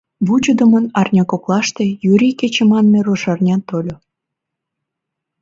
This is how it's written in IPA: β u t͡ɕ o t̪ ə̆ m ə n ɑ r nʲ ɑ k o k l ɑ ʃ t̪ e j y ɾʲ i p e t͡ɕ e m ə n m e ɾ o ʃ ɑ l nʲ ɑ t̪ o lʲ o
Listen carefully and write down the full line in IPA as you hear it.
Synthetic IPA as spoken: β u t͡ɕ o d̪ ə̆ m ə n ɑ r nʲ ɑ k o k l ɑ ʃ t̪ e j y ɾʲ i k e t͡ɕ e m ɑ n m e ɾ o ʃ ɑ r nʲ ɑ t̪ o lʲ o